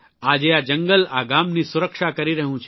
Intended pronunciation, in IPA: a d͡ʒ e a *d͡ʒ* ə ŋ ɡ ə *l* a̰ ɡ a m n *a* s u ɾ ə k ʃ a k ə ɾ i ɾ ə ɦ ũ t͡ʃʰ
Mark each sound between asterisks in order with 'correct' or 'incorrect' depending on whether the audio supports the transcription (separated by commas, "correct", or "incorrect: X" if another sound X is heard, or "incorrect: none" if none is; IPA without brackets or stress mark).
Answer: correct, correct, incorrect: i